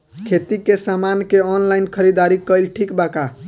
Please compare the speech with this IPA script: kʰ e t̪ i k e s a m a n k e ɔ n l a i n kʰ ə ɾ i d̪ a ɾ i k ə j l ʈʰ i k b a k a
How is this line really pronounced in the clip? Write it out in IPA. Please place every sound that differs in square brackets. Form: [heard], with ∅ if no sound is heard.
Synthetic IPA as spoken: kʰ e t̪ i k e s a m a n k e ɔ n l a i n kʰ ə ɾ i d̪ a ɾ i k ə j l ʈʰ i k b a k a